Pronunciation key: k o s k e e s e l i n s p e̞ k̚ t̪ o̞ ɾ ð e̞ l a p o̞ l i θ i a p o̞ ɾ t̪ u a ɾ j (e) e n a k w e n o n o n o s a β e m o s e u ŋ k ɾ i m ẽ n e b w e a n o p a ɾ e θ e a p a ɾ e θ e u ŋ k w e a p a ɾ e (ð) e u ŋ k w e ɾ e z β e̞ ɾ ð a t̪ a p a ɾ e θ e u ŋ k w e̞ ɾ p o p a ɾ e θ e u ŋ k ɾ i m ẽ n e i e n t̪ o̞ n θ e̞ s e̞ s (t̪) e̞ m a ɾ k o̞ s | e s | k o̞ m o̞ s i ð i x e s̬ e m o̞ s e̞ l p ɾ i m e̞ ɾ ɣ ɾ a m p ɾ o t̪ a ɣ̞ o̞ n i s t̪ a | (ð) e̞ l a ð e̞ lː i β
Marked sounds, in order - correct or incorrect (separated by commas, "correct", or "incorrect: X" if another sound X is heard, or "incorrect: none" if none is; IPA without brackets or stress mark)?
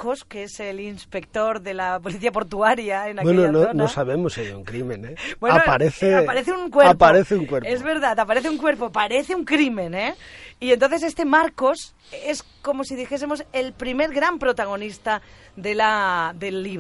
incorrect: a, incorrect: θ, correct, correct